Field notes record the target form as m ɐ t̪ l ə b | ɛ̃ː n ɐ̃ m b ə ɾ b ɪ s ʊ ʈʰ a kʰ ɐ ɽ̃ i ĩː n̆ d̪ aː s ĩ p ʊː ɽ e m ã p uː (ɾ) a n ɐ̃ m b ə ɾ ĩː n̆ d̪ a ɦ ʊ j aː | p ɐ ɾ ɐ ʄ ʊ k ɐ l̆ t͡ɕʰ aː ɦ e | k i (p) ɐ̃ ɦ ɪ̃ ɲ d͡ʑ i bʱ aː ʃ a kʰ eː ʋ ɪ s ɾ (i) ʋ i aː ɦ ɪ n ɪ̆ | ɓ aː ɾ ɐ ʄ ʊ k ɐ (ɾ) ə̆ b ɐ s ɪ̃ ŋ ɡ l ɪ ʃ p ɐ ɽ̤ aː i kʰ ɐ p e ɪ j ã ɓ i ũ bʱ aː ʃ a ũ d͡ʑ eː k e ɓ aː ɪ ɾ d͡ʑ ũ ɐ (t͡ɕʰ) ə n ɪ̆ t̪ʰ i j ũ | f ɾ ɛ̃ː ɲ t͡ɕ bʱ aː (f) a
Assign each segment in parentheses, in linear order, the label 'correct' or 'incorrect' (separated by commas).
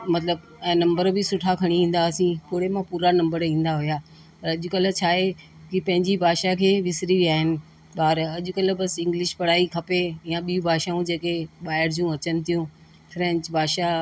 correct, correct, correct, incorrect, incorrect, incorrect